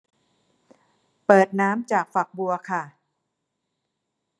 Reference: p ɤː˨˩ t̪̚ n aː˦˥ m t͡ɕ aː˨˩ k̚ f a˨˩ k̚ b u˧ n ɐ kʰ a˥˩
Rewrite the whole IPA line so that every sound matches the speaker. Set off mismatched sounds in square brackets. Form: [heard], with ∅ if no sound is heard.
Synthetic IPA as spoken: p ɤː˨˩ t̪̚ n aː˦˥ m t͡ɕ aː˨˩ k̚ f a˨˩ k̚ b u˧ [∅] ɐ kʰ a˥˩